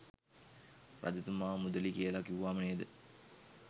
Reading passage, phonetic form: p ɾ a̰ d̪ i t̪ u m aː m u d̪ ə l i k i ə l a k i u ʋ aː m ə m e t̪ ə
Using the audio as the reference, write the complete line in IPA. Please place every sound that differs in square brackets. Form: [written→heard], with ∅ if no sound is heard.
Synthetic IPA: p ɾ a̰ d̪ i t̪ u m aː m u d̪ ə l i k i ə l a k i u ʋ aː m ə [m→n] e [t̪→d̪] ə